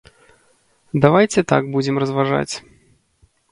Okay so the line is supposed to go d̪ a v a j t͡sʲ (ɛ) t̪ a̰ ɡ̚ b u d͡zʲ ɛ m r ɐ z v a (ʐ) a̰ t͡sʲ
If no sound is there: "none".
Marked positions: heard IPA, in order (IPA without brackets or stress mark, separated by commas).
ɛ, ʐ